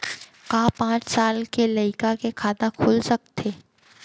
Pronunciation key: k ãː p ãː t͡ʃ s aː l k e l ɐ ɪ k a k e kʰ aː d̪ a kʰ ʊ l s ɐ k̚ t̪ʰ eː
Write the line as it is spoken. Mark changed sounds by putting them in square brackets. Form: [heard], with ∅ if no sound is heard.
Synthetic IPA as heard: k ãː p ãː t͡ʃ s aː l k e l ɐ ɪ k a k e kʰ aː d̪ a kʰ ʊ l s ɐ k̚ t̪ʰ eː